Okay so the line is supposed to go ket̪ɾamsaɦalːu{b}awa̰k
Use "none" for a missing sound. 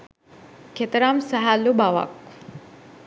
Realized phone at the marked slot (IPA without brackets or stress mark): b